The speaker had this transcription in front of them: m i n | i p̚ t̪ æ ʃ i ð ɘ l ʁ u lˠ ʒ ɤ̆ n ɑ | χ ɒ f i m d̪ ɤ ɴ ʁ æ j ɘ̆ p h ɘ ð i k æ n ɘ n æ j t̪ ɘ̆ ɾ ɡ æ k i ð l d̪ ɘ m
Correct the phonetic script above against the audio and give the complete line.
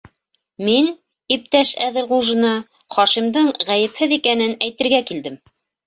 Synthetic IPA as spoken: m i n | i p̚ t̪ æ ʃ æ ð ɘ l ʁ u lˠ ʒ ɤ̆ n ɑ | χ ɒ ʃ i m d̪ ɤ ɴ ʁ æ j ɘ̆ p h ɘ ð i k æ n ɘ n æ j t̪ ɘ̆ ɾ ɡ æ k i l d̪ ɘ m